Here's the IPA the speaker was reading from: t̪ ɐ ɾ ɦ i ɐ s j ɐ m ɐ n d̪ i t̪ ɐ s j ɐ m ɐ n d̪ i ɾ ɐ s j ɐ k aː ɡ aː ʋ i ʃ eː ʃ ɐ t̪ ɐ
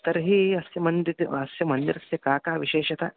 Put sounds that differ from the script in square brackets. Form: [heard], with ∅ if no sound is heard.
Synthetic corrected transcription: t̪ ɐ ɾ ɦ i ɐ s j ɐ m ɐ n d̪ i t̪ ɐ s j ɐ m ɐ n d̪ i ɾ ɐ s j ɐ k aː [k] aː ʋ i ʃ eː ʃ ɐ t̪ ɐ